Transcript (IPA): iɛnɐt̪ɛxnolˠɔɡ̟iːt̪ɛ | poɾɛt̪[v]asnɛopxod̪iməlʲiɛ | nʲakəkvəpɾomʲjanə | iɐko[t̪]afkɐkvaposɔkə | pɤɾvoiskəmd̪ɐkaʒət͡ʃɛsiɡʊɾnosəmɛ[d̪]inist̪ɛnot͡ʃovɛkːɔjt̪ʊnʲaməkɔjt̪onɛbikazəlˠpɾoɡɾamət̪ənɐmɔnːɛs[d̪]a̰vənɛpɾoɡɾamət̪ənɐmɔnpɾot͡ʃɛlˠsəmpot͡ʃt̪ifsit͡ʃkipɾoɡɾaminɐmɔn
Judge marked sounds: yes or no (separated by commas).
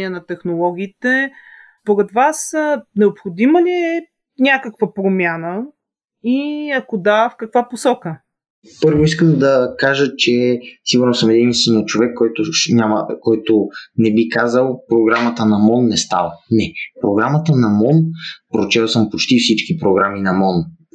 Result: yes, no, yes, no